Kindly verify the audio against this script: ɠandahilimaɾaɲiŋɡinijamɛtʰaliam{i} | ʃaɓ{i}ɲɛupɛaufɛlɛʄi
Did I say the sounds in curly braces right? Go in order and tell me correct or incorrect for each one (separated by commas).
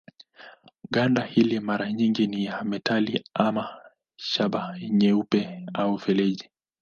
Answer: incorrect, incorrect